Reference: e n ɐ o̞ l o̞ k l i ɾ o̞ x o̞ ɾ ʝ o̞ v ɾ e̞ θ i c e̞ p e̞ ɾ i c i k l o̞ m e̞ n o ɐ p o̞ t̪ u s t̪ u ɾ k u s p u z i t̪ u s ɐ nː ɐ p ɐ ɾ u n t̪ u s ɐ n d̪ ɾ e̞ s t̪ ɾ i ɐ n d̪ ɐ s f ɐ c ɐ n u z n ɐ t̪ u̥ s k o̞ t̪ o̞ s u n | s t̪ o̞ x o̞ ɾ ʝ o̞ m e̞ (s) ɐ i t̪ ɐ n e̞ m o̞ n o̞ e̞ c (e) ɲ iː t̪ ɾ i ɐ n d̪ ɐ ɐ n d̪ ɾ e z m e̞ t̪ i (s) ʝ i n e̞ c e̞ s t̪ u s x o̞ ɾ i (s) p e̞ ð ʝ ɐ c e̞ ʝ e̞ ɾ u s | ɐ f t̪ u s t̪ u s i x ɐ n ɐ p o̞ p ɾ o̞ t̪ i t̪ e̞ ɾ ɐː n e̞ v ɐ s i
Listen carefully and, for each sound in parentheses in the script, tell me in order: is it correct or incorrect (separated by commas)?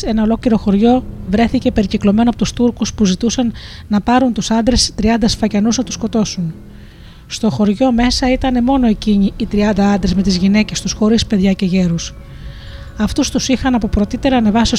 correct, incorrect, incorrect, correct